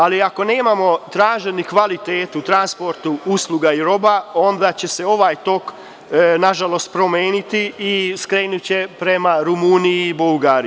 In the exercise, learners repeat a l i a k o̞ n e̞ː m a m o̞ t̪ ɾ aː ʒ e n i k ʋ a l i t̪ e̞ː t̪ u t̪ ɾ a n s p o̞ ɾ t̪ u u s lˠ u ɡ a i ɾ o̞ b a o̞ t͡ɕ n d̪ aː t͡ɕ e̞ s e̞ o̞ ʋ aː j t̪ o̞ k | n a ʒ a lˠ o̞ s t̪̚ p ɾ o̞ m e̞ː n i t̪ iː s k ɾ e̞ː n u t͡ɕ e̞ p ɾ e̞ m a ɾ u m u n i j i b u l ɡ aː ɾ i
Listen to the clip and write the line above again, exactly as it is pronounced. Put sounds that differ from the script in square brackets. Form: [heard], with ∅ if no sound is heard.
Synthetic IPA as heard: a l i a k o̞ n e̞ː m a m o̞ t̪ ɾ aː ʒ e n i k ʋ a l i t̪ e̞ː t̪ u t̪ ɾ a n s p o̞ ɾ t̪ u u s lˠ u ɡ a i ɾ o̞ b a o̞ [∅] n d̪ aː t͡ɕ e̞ s e̞ o̞ ʋ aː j t̪ o̞ k | n a ʒ a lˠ o̞ s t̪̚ p ɾ o̞ m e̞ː n i t̪ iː s k ɾ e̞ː n u t͡ɕ e̞ p ɾ e̞ m a ɾ u m u n i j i b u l ɡ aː ɾ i